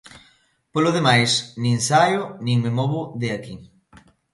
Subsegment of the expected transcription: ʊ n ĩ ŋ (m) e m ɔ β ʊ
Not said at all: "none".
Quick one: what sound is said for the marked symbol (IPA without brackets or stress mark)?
m